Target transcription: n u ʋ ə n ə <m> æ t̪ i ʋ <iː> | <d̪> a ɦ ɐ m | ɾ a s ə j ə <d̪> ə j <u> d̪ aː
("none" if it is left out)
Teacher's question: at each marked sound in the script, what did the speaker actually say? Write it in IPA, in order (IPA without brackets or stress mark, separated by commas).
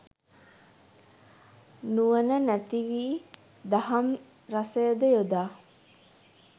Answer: n, iː, d̪, d̪, o